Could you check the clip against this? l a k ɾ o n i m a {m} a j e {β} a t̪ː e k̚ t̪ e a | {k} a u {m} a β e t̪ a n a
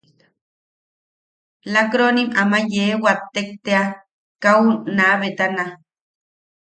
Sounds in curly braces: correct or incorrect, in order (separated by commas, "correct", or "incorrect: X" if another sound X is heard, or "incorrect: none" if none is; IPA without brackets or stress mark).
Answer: correct, incorrect: w, correct, incorrect: n